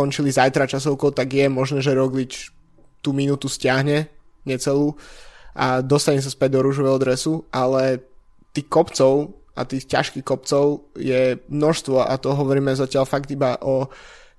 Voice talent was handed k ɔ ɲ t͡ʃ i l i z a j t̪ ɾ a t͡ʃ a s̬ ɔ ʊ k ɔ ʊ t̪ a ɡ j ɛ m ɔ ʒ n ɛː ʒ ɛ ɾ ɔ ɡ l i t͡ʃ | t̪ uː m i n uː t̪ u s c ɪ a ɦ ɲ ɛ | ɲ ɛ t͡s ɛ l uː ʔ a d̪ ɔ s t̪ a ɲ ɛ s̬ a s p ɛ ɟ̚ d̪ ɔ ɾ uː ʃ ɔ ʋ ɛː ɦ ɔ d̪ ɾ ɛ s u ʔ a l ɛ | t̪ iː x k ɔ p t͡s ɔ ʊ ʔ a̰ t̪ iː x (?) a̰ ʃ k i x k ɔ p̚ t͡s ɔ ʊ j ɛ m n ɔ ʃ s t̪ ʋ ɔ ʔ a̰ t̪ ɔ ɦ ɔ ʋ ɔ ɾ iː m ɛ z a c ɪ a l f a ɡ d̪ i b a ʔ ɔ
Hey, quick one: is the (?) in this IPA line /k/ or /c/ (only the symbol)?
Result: c